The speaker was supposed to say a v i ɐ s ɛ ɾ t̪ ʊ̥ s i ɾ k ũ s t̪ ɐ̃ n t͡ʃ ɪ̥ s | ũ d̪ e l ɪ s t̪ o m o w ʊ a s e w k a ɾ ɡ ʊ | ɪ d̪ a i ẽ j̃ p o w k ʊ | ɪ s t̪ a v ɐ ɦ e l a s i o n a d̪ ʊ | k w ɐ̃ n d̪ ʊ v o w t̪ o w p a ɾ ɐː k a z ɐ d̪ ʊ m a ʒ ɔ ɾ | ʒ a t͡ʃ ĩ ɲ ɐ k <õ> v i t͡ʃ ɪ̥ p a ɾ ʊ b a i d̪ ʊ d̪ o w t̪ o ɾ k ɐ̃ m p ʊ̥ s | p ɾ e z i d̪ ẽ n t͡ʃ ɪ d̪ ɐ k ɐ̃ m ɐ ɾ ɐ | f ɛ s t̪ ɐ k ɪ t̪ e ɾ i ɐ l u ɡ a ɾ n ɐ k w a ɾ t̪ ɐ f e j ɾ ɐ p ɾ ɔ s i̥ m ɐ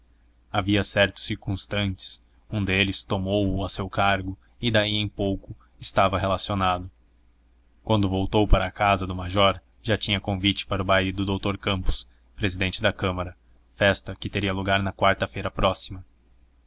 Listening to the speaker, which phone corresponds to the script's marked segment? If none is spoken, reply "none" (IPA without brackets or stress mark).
õ